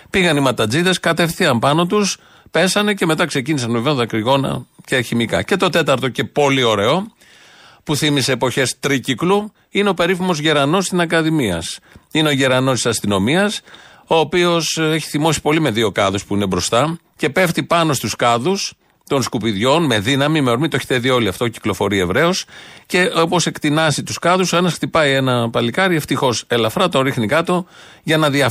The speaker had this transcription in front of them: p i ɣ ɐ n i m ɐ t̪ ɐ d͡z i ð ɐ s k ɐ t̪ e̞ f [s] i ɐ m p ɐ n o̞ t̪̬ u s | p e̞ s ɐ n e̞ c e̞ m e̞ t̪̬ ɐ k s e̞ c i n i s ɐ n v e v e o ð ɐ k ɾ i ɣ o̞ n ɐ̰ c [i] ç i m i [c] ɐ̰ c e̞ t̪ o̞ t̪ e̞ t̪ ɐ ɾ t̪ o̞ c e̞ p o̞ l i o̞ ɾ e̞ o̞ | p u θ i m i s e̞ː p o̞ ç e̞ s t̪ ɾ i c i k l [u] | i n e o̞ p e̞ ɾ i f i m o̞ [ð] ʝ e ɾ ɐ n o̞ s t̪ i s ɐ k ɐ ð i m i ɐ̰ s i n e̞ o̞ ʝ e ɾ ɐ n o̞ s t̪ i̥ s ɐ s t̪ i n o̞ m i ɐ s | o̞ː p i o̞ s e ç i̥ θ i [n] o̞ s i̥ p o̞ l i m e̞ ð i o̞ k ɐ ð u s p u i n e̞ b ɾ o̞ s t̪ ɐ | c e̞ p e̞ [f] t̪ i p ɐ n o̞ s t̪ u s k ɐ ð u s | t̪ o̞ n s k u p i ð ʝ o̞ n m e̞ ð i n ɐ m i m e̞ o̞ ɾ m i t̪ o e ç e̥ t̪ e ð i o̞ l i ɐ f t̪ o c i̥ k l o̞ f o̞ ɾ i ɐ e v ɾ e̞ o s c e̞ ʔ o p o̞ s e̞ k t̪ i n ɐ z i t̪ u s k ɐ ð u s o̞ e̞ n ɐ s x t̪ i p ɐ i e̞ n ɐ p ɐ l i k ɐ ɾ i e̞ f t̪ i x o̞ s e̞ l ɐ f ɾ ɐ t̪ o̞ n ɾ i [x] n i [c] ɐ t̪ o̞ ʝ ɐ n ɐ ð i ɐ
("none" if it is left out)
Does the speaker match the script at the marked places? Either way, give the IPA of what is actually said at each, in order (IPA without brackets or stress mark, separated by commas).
θ, e, k, u, z, m, f, x, k